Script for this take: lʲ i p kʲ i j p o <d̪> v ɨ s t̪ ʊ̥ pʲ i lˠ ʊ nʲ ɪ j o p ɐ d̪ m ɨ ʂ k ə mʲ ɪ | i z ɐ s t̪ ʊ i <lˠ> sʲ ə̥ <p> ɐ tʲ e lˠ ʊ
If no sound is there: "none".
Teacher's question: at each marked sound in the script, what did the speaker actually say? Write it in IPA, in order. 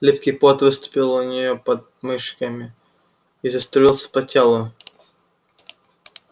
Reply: t̪, lˠ, p

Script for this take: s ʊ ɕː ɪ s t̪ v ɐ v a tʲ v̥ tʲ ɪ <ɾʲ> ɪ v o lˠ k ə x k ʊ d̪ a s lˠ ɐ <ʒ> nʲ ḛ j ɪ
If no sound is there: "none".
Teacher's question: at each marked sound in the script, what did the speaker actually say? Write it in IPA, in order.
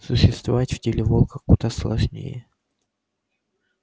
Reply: lʲ, ʐ

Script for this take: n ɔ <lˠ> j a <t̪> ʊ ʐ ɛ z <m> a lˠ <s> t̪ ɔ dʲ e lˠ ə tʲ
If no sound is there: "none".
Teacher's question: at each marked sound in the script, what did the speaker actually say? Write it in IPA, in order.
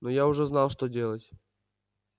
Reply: none, none, n, ʂ

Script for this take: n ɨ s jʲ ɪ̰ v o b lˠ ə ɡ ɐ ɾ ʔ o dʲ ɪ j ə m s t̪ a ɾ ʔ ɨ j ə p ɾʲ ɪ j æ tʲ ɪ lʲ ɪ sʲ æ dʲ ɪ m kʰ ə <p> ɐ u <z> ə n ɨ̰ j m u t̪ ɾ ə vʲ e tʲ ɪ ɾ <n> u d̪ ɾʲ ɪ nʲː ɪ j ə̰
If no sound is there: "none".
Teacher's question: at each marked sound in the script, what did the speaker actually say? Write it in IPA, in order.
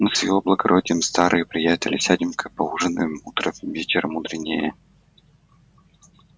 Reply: p, ʐ, m

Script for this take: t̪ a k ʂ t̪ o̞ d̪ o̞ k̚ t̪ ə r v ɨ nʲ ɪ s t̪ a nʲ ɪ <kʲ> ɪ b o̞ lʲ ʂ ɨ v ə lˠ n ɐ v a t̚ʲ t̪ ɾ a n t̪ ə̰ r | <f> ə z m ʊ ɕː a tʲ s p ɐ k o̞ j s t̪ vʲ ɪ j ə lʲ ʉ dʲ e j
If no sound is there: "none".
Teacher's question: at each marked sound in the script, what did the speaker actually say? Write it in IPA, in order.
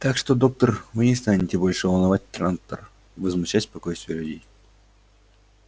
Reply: tʲ, v

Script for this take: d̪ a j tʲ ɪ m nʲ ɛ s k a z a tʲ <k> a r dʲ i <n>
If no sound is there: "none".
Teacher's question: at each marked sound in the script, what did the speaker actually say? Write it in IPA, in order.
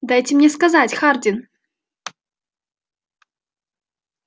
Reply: x, n

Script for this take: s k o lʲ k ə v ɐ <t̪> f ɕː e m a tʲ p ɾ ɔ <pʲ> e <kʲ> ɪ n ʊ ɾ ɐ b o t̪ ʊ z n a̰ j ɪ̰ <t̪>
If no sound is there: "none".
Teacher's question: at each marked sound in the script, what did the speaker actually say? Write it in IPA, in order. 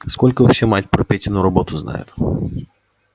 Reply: none, pʲ, tʲ, t̪

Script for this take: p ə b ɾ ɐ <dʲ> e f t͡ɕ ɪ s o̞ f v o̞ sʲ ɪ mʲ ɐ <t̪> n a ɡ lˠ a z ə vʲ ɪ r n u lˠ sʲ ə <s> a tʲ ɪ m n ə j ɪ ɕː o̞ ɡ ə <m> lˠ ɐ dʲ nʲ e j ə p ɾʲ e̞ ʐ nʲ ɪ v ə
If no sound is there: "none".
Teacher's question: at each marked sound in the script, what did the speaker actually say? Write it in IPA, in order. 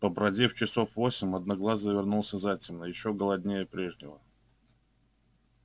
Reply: dʲ, d̪, z, none

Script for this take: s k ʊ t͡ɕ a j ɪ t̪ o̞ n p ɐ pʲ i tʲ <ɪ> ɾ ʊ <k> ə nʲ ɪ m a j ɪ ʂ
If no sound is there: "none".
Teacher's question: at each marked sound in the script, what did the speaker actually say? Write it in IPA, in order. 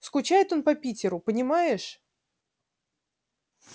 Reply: ɪ, p

